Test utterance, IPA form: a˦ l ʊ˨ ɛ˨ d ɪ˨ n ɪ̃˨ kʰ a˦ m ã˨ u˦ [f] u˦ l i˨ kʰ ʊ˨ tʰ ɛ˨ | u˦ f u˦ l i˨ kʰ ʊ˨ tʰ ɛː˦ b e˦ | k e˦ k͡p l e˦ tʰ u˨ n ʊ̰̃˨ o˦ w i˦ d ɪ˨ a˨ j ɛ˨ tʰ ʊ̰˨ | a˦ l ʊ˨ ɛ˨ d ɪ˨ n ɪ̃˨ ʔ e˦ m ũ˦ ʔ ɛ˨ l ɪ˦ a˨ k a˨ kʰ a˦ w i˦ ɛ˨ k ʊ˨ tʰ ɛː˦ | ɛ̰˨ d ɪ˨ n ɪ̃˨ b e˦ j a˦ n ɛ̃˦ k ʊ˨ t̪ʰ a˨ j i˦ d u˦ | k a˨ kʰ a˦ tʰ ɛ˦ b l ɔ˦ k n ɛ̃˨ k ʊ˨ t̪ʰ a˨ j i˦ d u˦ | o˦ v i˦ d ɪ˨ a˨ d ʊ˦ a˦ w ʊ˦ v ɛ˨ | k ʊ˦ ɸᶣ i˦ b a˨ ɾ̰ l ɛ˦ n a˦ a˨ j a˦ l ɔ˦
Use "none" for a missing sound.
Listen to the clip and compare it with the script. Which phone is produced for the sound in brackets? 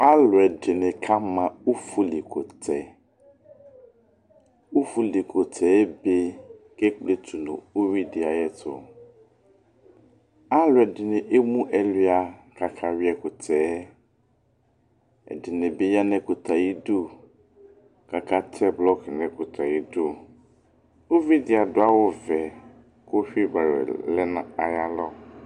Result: f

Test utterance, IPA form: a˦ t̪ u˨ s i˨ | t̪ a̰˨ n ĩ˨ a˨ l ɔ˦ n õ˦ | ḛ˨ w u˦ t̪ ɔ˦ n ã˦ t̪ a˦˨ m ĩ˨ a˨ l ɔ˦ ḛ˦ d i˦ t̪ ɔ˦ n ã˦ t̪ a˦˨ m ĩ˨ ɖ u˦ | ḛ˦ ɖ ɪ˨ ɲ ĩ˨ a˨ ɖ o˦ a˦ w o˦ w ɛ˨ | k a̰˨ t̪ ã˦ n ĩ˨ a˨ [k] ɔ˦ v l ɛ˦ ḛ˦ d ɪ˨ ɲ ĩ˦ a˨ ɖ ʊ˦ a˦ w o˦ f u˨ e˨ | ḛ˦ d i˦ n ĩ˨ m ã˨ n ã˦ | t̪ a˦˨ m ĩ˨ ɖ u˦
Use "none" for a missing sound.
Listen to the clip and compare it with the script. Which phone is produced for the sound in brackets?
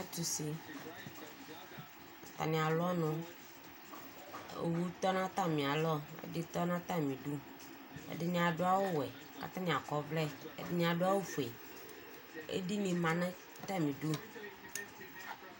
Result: k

